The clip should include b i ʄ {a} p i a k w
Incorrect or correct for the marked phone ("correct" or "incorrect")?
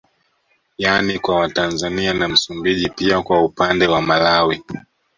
incorrect